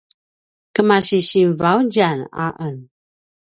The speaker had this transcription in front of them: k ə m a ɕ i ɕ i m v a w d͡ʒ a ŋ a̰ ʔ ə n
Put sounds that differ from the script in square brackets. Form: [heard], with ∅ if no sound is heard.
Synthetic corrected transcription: k ə m a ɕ i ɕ i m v a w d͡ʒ a [n] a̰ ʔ ə n